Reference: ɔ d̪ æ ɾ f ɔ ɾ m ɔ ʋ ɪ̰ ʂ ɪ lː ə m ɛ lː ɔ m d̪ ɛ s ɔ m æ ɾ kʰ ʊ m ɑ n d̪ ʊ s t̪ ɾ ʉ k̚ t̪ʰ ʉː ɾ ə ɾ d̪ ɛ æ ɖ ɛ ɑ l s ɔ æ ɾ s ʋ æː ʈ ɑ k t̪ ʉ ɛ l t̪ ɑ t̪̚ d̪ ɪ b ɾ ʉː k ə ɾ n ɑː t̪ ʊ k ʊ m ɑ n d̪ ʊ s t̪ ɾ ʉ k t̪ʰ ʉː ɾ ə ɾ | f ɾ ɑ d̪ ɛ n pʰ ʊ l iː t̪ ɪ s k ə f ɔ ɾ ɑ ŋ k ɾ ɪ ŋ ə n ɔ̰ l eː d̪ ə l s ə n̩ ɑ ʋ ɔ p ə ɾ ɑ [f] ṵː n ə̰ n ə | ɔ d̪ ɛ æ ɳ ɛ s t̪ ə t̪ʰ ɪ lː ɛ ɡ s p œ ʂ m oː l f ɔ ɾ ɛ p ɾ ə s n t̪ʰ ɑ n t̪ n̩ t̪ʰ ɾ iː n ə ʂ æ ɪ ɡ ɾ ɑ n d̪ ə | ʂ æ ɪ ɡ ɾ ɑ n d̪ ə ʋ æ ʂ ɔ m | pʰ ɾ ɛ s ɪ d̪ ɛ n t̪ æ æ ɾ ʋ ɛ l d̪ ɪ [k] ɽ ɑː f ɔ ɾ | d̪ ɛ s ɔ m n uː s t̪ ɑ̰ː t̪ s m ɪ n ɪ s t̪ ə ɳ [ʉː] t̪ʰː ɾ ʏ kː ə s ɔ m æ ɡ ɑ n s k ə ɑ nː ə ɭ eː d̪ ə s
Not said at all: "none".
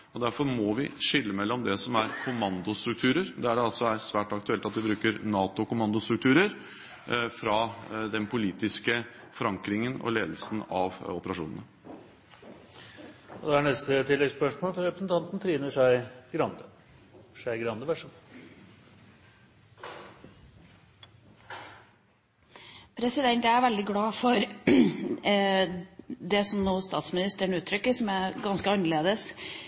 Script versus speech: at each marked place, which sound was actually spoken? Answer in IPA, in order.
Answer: ʂ, ɡ, ʉː

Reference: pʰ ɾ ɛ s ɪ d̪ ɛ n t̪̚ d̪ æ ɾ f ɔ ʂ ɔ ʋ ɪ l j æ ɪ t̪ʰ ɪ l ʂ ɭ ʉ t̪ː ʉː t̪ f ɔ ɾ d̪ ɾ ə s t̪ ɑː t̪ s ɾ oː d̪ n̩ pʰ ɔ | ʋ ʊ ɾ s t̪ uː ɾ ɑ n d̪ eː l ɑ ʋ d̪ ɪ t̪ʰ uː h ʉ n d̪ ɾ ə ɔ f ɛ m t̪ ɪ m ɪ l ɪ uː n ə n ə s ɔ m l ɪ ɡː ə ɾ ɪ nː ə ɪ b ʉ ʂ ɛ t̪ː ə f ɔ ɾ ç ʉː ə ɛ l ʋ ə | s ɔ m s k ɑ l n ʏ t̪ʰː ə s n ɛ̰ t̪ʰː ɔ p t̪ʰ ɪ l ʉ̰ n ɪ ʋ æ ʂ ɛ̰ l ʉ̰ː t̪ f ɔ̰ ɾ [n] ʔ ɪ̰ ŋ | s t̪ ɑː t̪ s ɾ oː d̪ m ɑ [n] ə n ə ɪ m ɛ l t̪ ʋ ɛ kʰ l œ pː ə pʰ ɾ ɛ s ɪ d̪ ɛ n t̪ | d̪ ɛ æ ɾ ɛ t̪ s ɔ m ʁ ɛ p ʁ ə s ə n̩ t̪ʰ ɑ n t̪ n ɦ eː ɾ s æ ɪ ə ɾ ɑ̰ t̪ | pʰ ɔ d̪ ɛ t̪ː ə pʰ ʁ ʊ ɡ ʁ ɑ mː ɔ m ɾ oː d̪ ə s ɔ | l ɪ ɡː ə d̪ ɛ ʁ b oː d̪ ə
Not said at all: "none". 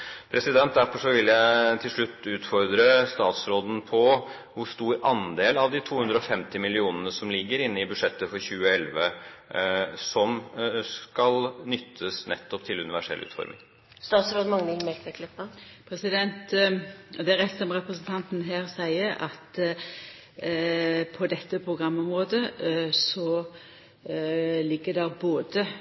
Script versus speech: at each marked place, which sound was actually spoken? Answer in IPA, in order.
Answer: m, ŋ

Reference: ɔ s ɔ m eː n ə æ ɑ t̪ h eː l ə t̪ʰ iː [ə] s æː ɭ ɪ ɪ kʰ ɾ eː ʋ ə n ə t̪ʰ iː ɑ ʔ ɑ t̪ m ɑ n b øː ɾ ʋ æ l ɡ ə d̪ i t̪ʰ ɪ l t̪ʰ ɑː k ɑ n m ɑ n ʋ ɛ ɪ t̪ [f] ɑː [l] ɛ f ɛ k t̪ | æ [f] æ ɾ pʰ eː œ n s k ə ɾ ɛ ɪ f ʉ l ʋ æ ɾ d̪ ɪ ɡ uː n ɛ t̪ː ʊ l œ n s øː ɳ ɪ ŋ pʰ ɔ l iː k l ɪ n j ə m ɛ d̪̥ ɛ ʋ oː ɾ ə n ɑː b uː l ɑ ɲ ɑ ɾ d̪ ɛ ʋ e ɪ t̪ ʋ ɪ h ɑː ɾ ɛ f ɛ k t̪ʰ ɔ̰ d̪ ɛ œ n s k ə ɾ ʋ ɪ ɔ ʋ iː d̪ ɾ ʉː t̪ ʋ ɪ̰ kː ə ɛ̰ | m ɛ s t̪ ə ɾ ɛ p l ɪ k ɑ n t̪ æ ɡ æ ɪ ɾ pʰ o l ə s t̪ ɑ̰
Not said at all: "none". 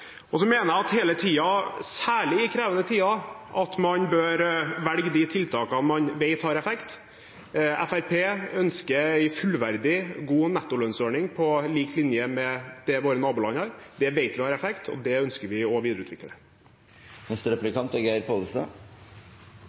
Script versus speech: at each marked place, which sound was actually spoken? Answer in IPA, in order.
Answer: ɑ, h, ɾ, f

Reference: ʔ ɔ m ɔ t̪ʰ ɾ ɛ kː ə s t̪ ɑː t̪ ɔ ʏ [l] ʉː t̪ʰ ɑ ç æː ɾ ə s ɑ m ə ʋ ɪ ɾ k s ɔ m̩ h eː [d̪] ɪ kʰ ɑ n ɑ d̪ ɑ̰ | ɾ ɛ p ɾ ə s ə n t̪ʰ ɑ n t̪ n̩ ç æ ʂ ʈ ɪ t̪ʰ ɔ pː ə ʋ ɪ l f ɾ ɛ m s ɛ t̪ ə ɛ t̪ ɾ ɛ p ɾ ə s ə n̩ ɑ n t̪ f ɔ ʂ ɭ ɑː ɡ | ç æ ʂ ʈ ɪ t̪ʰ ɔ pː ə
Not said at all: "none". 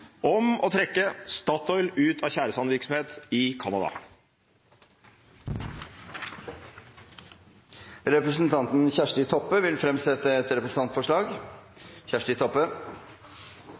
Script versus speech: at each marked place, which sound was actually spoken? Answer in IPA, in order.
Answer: l, t̪

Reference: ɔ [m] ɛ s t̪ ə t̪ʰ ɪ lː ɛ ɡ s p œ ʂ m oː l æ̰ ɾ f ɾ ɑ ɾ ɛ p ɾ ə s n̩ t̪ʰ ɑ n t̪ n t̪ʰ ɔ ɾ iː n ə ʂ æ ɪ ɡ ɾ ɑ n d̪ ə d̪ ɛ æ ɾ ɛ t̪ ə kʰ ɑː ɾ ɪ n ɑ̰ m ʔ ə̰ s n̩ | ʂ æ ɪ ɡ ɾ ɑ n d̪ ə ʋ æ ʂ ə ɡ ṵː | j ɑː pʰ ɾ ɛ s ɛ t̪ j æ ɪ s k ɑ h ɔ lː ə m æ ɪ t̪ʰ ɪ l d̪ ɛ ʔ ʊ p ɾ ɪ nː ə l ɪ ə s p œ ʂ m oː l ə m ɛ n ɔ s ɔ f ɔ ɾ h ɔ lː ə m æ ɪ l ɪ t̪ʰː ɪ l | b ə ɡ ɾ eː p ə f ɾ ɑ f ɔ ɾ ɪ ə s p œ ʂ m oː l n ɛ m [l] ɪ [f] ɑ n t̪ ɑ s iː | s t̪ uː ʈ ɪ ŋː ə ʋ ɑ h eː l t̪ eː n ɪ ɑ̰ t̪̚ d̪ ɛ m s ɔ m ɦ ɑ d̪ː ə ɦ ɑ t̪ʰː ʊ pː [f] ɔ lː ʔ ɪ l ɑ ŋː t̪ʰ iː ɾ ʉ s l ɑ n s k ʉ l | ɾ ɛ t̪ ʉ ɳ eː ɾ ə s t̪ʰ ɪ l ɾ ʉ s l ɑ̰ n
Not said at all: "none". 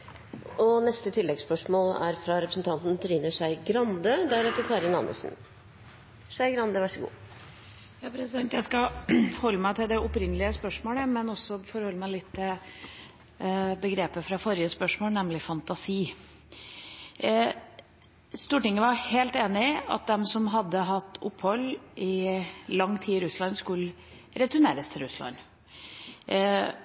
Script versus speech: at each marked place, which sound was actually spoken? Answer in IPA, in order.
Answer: n, l, f, h

